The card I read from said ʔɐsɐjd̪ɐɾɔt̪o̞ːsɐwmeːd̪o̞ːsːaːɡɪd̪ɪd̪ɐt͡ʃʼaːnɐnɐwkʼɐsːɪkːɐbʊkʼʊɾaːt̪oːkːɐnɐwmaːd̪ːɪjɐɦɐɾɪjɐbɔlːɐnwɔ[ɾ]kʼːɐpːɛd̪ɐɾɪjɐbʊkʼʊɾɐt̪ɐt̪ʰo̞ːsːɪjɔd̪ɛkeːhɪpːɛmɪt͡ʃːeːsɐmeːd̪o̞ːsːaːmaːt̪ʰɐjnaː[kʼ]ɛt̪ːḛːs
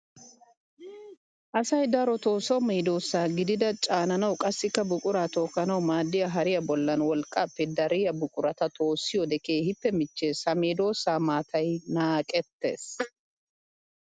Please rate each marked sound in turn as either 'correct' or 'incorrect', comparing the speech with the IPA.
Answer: incorrect: l, correct

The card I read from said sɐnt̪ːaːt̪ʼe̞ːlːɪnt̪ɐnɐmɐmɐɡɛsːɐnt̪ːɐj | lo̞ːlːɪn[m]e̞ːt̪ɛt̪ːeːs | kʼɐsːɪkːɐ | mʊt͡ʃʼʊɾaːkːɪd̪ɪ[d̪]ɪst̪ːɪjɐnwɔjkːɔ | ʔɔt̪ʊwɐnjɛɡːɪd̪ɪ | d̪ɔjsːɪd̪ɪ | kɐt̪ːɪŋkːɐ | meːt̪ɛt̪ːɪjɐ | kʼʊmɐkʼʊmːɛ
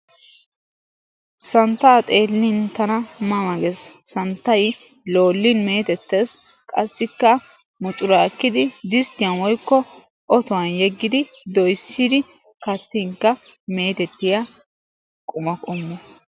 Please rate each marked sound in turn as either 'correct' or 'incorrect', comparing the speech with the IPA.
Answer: correct, correct

